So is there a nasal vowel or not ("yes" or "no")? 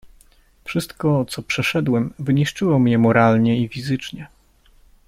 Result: no